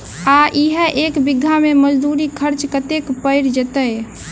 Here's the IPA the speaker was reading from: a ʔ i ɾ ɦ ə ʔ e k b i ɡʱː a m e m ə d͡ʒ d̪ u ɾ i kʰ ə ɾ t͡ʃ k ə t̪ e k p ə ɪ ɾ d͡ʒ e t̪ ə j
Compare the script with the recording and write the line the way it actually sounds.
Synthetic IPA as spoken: a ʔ i ɦ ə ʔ e k b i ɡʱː a m e m ə d͡ʒ d̪ u ɾ i kʰ ə ɾ t͡ʃ k ə t̪ e k p ə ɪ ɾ d͡ʒ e t̪ ə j

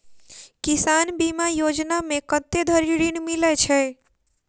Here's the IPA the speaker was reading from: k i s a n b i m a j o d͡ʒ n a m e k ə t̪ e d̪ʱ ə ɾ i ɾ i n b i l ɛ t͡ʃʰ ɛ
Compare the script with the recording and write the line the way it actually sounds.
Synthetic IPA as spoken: k i s a n b i m a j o d͡ʒ n a m e k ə t̪ e d̪ʱ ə ɾ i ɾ i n m i l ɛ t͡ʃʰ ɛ

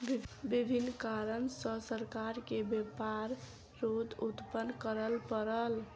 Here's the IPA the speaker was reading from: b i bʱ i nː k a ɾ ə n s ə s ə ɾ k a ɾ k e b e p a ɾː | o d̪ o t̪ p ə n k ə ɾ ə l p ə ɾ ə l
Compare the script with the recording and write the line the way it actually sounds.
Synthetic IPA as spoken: b i bʱ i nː k a ɾ ə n s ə s ə ɾ k a ɾ k e b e p a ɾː | o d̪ u t̪ p ə n k ə ɾ ə l p ə ɾ ə l

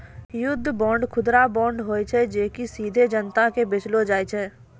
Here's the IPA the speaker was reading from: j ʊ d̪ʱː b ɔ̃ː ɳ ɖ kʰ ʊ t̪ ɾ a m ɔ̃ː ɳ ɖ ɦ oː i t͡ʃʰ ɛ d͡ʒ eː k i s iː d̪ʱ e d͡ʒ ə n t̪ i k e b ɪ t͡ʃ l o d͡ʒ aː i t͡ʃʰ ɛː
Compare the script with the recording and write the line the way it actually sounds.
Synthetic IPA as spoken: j ʊ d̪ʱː b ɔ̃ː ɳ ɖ kʰ ʊ d̪ ɾ a b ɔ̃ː ɳ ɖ ɦ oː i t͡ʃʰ ɛ d͡ʒ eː k i s iː d̪ʱ e d͡ʒ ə n t̪ a k e b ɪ t͡ʃ l o d͡ʒ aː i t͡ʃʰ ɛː

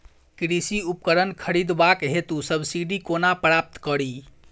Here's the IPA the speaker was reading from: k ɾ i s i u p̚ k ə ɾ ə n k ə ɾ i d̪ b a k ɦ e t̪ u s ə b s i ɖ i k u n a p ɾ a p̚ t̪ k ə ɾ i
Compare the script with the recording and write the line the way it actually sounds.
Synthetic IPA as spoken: k ɾ i s i u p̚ k ə ɾ ə n kʰ ə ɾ i d̪ b a k ɦ e t̪ u s ə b s i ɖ i k o n a p ɾ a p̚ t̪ k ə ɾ i

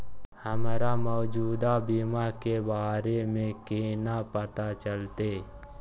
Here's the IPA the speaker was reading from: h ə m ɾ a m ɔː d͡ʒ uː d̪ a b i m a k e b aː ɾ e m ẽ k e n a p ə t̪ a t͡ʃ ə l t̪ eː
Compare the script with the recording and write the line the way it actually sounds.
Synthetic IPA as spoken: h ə m ɾ a m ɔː d͡ʒ uː d̪ a b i m a k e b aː ɾ e m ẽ k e n a p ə t̪ a t͡ʃ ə l t̪ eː

